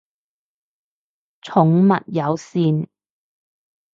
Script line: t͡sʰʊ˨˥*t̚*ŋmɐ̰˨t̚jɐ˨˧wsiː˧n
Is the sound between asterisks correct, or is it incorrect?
incorrect